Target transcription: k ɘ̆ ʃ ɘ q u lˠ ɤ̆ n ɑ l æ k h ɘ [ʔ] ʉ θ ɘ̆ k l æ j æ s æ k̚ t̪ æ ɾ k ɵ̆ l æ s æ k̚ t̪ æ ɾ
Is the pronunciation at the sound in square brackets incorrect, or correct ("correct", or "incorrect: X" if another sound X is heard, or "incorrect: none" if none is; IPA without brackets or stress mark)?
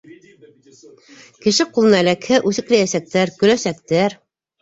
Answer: correct